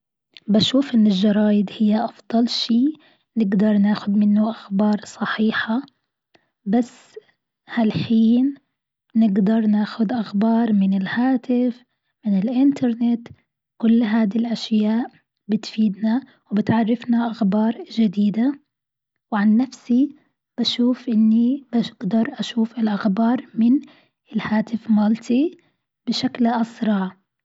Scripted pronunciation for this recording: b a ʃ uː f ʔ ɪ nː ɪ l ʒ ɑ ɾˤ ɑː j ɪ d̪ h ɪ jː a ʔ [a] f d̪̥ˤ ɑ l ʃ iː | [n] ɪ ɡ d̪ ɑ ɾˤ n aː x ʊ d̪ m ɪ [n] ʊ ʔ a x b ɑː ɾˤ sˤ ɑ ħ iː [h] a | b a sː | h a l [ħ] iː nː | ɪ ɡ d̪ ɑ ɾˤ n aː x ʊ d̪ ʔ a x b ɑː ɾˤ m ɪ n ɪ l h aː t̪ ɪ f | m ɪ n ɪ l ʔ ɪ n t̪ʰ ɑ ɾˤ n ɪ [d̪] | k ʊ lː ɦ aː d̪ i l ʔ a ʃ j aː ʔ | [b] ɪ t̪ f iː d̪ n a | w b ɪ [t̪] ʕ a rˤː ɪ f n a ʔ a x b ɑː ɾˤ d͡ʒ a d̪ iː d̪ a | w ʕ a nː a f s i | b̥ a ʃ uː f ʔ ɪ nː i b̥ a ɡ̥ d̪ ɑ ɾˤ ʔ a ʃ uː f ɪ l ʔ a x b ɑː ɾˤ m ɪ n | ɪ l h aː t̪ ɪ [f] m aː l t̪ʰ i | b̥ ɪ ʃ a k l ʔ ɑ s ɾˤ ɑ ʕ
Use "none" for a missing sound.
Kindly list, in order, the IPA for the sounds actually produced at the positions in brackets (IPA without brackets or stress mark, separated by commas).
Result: ɑ, n, nː, ħ, ħ, t̪, b, t̪, f